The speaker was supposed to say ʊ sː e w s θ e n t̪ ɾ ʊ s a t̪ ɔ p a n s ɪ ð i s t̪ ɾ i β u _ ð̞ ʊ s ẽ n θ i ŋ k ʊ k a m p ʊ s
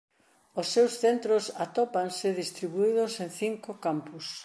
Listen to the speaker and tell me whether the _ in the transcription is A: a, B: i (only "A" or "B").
B